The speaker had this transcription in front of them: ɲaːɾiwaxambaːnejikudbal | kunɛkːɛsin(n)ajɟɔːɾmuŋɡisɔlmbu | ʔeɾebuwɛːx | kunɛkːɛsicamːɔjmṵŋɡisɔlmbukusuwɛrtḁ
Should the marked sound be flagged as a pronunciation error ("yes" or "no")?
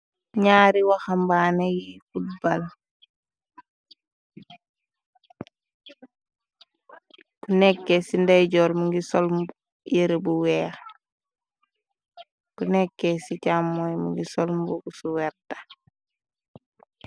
yes